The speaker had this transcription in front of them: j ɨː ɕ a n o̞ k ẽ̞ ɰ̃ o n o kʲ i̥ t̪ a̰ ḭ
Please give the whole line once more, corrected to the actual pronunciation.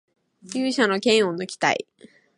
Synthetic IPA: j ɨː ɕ a n o̞ k ẽ̞ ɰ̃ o n o kʲ i̥ t̪ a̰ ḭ